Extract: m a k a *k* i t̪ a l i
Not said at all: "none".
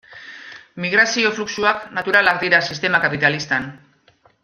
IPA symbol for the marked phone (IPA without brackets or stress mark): p